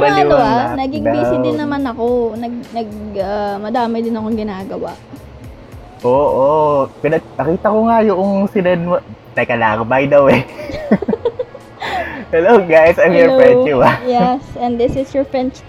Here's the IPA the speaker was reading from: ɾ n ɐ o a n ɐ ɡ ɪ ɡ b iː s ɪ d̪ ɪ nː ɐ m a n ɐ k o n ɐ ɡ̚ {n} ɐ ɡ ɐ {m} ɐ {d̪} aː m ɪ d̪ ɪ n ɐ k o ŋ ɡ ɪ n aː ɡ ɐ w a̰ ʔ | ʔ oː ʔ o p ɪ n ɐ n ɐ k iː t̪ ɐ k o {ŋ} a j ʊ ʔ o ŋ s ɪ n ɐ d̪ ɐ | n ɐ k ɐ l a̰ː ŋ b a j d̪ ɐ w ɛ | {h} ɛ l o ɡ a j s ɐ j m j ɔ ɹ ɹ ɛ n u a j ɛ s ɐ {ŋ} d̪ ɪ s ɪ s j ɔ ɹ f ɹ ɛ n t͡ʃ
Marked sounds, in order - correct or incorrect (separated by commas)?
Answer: correct, correct, correct, correct, correct, incorrect